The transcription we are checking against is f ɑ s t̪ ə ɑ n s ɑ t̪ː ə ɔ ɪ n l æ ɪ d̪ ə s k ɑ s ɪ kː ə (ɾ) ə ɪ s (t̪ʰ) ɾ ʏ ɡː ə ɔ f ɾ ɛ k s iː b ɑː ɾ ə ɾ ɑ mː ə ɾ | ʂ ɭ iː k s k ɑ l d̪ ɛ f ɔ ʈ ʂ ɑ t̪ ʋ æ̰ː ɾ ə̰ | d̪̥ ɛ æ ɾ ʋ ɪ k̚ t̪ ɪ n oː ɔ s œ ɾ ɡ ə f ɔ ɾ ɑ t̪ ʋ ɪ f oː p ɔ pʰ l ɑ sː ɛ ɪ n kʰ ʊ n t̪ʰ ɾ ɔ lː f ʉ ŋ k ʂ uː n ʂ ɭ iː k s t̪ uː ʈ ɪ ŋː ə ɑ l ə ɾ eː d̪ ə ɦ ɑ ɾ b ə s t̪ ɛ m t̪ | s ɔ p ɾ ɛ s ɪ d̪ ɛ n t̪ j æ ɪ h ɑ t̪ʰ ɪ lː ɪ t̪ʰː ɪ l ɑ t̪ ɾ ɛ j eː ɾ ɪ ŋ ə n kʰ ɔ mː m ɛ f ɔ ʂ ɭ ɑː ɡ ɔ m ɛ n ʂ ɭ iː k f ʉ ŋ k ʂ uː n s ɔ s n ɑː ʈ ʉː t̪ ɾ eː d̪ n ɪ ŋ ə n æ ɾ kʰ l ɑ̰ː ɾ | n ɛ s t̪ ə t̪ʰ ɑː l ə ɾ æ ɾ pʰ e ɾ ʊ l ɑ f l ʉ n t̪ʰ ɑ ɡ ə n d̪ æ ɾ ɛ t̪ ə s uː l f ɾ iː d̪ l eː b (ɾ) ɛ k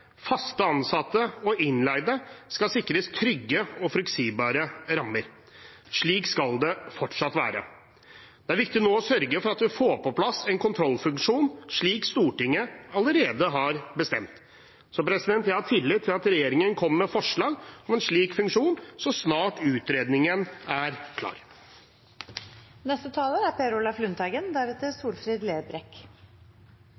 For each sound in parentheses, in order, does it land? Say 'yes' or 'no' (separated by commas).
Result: yes, yes, yes